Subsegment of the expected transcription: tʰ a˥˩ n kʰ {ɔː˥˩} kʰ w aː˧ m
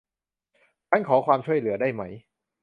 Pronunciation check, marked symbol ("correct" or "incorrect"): incorrect